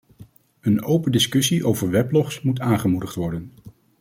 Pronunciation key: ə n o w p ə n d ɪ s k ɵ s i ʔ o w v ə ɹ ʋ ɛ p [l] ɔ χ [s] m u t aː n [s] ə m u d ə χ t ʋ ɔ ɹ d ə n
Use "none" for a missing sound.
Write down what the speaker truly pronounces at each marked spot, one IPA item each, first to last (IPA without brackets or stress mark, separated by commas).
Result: l, s, χ